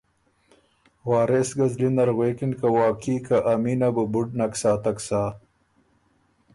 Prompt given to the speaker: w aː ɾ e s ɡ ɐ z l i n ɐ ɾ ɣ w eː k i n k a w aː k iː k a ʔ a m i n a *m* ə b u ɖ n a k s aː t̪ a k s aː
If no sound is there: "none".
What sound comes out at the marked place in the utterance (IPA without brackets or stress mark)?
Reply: b